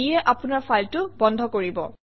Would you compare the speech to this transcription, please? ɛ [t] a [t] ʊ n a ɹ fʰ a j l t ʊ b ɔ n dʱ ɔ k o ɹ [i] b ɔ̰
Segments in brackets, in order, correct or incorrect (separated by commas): incorrect, incorrect, correct